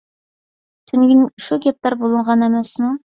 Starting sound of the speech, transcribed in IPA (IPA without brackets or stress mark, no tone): t̪ʰ